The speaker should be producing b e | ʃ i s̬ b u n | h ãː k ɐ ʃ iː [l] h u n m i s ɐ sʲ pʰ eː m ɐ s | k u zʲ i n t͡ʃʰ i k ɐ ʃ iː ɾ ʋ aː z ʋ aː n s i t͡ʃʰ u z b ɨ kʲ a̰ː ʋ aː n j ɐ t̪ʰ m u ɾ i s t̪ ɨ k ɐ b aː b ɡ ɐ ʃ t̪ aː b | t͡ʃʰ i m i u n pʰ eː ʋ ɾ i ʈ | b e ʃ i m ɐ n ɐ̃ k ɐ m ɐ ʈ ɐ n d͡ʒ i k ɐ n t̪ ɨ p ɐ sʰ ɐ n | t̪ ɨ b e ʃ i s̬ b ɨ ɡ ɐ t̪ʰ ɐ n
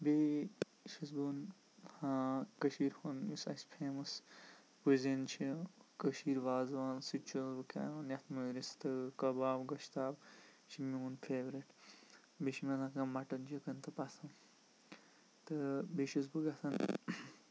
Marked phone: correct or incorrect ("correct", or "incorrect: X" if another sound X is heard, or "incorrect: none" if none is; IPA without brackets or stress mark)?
incorrect: ɾ